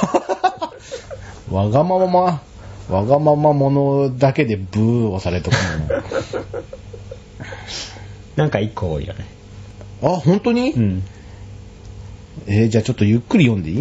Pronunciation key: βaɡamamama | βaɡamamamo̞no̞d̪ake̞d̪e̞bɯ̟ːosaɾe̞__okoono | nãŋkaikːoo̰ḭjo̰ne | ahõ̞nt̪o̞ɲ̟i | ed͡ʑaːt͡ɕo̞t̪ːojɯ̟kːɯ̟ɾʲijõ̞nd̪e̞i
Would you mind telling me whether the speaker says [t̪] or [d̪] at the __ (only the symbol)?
t̪